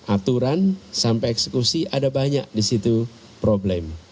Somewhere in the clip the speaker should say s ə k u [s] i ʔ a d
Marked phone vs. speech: correct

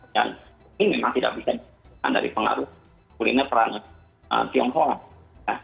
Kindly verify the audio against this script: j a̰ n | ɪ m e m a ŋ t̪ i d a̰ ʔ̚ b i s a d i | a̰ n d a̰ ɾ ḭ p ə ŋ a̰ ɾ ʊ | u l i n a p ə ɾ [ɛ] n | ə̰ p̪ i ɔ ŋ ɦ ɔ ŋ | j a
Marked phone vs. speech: incorrect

